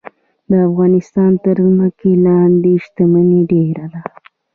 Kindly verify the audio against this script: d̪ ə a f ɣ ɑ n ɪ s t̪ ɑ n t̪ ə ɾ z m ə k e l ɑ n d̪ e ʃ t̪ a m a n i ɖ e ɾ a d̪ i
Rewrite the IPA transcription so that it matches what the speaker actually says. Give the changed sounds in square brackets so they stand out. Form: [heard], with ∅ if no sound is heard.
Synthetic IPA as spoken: d̪ ə a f ɣ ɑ n ɪ s t̪ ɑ n t̪ ə ɾ z m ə k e l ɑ n d̪ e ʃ t̪ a m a n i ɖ e ɾ a d̪ [a]

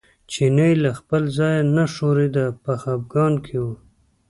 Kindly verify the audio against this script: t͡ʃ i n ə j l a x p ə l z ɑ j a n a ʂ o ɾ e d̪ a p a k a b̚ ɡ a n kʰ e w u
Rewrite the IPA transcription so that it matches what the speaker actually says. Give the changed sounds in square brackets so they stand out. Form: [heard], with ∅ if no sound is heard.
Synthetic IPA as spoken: t͡ʃ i n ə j l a x p ə l z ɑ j a n a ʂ o ɾ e d̪ a p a [x] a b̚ ɡ [ɑ] n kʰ e w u

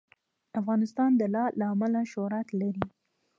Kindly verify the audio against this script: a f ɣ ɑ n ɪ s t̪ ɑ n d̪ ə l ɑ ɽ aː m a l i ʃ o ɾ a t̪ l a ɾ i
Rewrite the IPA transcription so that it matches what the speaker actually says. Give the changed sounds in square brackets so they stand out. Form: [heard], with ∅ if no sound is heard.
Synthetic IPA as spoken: a f ɣ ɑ n ɪ s t̪ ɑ n d̪ ə l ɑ [l] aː m a l [a] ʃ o ɾ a t̪ l a ɾ i

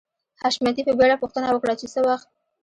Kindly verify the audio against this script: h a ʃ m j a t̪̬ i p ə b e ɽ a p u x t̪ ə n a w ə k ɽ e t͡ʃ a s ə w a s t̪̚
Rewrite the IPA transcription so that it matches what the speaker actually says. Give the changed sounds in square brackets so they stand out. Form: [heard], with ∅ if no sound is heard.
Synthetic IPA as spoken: h a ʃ m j a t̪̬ i p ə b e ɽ a p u x t̪ ə n a w ə k ɽ [a] t͡ʃ [e] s ə w a [x] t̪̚

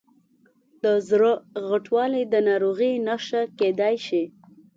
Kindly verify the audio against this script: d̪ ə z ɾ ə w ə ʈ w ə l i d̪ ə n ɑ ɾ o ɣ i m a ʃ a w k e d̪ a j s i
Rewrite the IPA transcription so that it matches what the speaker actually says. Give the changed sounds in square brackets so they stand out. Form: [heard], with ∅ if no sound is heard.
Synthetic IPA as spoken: d̪ ə z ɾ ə [ɣ] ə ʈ w [ɑ] l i d̪ ə n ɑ ɾ o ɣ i [n] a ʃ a [∅] k e d̪ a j [ʃ] i

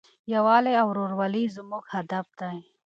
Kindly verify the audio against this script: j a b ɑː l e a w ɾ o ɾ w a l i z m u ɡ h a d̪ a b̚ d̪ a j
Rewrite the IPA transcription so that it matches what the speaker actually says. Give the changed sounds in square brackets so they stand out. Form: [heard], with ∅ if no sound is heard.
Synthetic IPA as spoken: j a [w] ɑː l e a w ɾ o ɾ w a l i z m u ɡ h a d̪ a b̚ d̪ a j

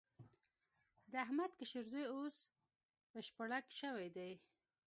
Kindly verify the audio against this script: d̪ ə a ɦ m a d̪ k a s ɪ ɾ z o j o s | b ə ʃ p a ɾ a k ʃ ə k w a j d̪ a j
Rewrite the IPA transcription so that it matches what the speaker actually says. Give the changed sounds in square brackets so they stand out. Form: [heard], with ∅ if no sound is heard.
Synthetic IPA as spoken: d̪ ə a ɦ m a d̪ k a [ʃ] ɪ ɾ z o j o s | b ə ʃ p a [ɽ] a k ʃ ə [∅] w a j d̪ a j

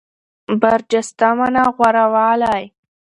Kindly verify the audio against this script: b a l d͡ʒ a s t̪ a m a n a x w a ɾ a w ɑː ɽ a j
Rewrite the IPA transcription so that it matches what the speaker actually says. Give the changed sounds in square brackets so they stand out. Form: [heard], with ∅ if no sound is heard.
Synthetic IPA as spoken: b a [ɾ] d͡ʒ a s t̪ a m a n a [ɣ] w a ɾ a w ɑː [l] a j

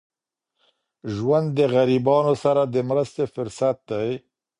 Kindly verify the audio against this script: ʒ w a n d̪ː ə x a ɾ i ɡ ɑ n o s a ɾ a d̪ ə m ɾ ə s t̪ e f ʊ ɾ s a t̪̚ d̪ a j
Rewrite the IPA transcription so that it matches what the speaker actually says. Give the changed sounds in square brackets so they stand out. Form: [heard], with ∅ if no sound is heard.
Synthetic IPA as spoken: ʒ w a n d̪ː ə [ɣ] a ɾ i [b] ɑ n o s a ɾ a d̪ ə m ɾ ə s t̪ e f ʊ ɾ s a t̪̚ d̪ a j

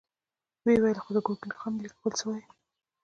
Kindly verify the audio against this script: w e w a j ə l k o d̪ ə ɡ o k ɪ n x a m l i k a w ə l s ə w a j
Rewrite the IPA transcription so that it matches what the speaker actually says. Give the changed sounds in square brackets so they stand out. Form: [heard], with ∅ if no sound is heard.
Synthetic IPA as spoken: w e w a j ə l [x] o d̪ ə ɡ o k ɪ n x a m l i k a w ə l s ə w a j

